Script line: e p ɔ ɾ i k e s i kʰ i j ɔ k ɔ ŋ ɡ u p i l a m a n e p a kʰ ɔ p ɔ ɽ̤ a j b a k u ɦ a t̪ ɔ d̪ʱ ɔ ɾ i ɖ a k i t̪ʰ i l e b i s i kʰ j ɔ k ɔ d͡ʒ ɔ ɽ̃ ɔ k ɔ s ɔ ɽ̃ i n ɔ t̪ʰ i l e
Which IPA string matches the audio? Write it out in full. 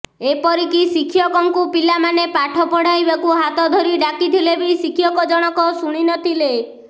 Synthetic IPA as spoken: e p ɔ ɾ i k i s i kʰ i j ɔ k ɔ ŋ k u p i l a m a n e p a ʈʰ ɔ p ɔ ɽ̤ a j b a k u ɦ a t̪ ɔ d̪ʱ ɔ ɾ i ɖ a k i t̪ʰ i l e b i s i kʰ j ɔ k ɔ d͡ʒ ɔ ɽ̃ ɔ k ɔ s u ɽ̃ i n ɔ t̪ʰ i l e